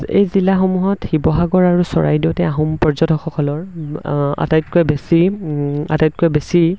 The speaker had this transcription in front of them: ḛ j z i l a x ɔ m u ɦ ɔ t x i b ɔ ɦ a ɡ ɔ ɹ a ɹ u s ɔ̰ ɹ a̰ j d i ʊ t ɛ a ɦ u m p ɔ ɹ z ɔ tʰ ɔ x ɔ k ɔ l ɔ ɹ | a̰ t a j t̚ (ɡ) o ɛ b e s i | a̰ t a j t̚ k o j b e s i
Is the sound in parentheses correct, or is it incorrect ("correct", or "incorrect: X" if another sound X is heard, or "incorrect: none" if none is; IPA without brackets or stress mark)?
incorrect: k